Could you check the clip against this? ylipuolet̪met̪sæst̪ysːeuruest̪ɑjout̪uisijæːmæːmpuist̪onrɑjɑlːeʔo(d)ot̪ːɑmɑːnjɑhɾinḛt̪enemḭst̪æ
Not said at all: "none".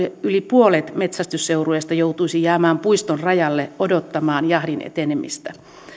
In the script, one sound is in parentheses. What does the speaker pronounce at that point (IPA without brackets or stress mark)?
d